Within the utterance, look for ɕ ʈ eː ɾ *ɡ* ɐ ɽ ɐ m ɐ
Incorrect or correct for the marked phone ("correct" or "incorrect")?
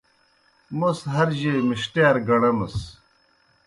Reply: correct